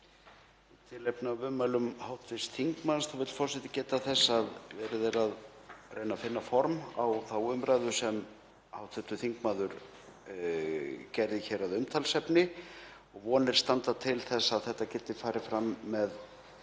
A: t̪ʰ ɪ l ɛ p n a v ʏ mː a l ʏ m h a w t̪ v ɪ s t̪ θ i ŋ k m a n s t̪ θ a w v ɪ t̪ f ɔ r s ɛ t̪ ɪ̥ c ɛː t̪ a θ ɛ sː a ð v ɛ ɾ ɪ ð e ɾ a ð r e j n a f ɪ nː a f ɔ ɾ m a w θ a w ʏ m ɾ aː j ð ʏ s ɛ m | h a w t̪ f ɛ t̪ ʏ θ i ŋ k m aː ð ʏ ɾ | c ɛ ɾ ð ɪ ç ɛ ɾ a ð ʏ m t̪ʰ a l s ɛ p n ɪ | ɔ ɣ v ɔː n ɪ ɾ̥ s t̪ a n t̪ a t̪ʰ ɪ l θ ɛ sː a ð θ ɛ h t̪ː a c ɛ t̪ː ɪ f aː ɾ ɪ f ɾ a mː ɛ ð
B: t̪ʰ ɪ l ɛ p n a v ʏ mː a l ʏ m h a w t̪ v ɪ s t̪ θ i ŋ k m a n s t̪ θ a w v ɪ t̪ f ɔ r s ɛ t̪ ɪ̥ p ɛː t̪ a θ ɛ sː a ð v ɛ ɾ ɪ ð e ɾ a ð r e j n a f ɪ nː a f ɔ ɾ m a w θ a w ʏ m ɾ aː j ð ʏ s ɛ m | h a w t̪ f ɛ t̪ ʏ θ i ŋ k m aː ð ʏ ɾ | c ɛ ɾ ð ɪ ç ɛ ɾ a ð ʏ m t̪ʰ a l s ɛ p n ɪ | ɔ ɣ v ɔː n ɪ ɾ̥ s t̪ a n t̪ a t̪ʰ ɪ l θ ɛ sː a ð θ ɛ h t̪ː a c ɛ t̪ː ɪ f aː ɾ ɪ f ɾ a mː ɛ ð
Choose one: A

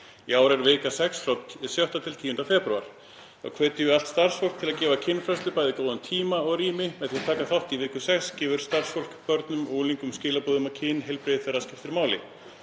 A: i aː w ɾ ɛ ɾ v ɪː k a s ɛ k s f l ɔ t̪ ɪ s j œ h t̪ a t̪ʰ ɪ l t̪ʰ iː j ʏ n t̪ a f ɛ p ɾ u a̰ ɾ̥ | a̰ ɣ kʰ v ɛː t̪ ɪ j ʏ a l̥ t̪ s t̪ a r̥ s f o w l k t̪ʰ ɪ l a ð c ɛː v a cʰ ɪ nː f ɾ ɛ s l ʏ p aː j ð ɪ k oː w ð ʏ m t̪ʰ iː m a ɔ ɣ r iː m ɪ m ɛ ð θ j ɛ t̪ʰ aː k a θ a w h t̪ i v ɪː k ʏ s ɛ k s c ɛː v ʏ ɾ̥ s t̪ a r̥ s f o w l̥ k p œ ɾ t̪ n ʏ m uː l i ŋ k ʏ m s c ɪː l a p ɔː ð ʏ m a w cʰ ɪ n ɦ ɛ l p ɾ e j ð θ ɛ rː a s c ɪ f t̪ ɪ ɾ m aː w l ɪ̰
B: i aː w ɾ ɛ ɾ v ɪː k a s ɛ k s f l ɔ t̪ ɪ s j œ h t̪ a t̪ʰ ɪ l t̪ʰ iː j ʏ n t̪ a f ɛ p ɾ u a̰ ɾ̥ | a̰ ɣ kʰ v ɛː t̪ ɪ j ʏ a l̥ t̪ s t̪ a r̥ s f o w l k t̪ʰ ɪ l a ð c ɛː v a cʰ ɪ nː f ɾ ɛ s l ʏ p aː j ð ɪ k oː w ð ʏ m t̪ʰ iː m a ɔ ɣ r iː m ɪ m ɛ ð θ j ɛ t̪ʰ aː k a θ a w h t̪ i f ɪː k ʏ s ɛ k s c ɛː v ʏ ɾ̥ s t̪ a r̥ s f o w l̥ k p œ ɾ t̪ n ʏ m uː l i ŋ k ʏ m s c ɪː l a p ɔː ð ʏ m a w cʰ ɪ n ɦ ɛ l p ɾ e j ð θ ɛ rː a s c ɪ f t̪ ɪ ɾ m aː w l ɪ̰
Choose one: A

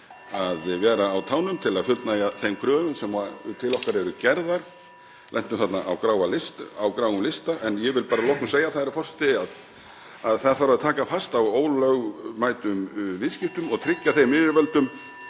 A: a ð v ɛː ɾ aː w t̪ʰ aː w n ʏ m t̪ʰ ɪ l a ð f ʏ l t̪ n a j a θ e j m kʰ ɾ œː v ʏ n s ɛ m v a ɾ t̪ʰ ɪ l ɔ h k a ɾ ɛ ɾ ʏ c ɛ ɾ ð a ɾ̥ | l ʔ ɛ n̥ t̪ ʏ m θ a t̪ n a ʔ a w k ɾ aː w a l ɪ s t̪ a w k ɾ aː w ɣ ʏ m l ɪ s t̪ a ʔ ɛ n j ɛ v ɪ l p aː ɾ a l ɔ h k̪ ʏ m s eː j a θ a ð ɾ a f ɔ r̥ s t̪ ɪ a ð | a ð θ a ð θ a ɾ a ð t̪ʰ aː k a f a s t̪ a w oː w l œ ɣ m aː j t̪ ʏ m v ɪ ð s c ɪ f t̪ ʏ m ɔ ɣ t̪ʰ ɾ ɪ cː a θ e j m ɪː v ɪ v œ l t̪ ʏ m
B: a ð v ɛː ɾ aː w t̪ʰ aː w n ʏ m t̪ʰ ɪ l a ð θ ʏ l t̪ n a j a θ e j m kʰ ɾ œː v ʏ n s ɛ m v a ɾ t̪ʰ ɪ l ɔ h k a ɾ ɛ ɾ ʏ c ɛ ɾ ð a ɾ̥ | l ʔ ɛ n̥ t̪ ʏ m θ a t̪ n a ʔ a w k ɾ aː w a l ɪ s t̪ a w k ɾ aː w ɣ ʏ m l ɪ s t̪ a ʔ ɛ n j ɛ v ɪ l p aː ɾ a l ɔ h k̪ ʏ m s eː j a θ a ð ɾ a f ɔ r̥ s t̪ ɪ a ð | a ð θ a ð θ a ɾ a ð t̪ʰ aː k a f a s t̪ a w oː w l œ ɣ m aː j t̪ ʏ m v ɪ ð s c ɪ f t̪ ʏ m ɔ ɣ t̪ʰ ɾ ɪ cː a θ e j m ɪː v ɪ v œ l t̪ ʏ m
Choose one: A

